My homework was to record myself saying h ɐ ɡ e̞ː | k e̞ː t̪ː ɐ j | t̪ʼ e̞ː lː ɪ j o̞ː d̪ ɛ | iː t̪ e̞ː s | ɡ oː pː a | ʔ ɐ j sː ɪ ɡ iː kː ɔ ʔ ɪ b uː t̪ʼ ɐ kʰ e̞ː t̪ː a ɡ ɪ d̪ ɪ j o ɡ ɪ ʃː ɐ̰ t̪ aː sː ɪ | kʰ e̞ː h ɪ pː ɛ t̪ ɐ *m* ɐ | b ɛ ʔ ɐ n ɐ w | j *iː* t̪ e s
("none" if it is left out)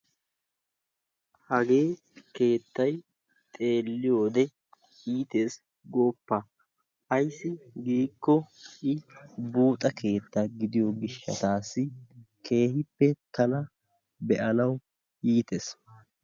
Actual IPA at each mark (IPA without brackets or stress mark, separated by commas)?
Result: n, iː